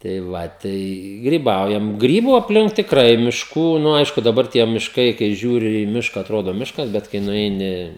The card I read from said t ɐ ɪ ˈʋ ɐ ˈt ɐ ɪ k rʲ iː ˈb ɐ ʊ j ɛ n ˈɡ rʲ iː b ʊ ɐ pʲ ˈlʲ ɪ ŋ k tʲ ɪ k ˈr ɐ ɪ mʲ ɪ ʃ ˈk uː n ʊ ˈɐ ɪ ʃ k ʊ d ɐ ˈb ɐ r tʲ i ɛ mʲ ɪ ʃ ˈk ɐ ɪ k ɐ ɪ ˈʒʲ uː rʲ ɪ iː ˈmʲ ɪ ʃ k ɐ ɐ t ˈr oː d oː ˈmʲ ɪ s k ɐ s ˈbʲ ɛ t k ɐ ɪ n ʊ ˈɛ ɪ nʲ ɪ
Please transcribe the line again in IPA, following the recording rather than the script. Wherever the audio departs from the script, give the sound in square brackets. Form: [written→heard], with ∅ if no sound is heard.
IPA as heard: t ɐ ɪ ˈʋ ɐ ˈt ɐ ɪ [k→ɡ] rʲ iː ˈb ɐ ʊ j ɛ [n→m] ˈɡ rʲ iː b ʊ ɐ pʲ ˈlʲ ɪ ŋ k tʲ ɪ k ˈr ɐ ɪ mʲ ɪ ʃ ˈk uː n ʊ ˈɐ ɪ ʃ k ʊ d ɐ ˈb ɐ r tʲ i ɛ mʲ ɪ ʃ ˈk ɐ ɪ k ɐ ɪ ˈʒʲ uː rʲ ɪ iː ˈmʲ ɪ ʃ k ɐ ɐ t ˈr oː d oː ˈmʲ ɪ [s→ʃ] k ɐ s ˈbʲ ɛ t k ɐ ɪ n ʊ ˈɛ ɪ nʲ ɪ